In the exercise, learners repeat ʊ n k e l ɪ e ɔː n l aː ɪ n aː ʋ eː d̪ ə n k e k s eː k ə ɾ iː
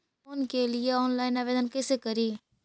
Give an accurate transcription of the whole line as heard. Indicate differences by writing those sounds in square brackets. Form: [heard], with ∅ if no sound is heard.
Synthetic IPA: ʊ n k e l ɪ e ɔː n l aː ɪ n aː ʋ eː d̪ ə n k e [∅] s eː k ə ɾ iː